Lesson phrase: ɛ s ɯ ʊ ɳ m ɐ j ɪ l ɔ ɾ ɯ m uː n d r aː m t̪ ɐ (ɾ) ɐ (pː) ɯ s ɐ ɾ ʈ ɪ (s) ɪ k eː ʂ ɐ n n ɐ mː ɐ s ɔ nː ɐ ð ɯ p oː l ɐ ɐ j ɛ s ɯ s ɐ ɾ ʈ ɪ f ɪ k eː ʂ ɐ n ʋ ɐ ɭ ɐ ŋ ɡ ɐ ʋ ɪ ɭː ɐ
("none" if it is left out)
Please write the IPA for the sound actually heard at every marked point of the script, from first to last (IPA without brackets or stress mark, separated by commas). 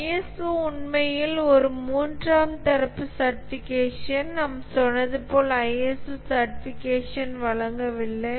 ɾ, pː, f